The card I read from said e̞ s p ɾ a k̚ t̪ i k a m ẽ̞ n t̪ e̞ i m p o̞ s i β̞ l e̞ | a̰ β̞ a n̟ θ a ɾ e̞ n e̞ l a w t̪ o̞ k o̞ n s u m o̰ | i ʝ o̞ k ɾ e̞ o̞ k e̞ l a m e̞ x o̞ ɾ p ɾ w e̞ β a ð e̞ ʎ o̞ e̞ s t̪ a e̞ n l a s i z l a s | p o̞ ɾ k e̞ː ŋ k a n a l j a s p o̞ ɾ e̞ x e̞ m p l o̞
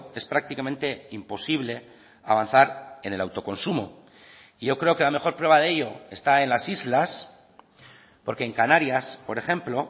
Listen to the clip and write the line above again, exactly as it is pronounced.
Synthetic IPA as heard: e̞ s p ɾ a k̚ t̪ i k a m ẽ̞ n t̪ e̞ i m p o̞ s i β̞ l e̞ | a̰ β̞ a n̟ θ a ɾ e̞ n e̞ l a w t̪ o̞ k o̞ n s u m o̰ | i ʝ o̞ k ɾ e̞ o̞ k e̞ l a m e̞ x o̞ ɾ p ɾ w e̞ β a ð e̞ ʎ o̞ e̞ s t̪ a e̞ n l a s i z l a s | p o̞ ɾ k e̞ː ŋ k a n a ɾ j a s p o̞ ɾ e̞ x e̞ m p l o̞